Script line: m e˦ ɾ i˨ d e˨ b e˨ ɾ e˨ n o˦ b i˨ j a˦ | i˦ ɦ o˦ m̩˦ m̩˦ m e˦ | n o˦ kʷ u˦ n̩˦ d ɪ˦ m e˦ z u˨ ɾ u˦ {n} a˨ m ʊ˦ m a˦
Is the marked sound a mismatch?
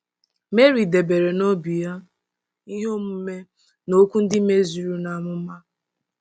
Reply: no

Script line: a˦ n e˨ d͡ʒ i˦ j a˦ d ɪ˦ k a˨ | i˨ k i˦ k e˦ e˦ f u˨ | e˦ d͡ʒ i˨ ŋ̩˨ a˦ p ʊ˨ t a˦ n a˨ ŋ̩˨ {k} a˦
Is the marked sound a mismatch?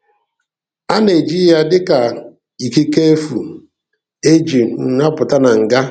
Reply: yes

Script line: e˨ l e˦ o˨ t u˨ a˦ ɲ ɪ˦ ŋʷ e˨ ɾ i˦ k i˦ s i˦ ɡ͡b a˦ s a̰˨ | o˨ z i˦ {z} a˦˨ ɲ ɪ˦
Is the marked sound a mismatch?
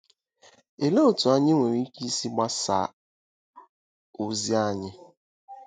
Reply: yes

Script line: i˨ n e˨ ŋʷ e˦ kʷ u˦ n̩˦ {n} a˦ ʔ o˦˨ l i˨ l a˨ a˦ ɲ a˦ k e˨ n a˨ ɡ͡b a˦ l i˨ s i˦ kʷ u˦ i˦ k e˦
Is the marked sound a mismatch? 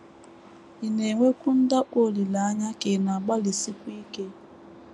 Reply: yes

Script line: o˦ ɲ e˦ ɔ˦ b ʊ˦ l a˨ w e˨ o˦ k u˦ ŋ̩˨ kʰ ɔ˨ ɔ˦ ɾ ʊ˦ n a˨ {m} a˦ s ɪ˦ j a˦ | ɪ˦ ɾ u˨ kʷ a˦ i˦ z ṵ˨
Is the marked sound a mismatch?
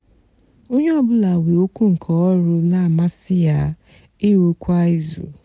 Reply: no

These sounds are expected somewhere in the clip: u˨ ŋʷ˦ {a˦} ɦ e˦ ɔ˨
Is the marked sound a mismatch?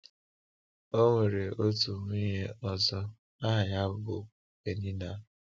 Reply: yes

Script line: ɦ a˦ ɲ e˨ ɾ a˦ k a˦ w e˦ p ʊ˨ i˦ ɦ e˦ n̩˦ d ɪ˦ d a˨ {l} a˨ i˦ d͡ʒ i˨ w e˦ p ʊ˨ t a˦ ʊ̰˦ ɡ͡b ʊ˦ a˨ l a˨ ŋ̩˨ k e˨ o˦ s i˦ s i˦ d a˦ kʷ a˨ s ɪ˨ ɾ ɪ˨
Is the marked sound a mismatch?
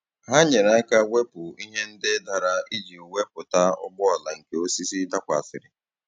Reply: yes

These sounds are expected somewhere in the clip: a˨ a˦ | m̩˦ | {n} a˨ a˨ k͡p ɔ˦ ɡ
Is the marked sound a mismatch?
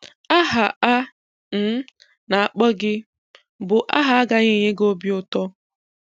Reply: no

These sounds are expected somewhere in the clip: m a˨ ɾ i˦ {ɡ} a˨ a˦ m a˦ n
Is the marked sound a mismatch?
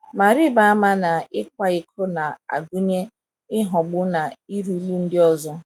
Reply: yes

